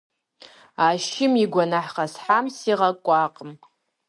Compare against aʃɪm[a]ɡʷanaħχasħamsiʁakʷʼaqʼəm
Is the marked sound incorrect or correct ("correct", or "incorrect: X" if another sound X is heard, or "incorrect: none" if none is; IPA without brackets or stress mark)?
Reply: incorrect: i